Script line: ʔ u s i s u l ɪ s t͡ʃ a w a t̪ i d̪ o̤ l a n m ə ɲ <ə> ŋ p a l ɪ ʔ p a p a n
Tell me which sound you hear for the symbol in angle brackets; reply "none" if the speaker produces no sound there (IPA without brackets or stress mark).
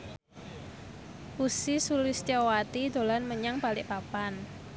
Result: a